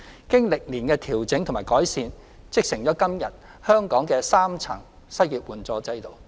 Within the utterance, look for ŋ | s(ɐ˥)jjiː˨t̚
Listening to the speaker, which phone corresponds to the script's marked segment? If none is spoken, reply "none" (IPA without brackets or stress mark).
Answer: ɐ˥